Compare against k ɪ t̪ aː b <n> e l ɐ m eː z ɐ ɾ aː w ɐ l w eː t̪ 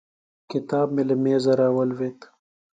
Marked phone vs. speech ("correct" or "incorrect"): incorrect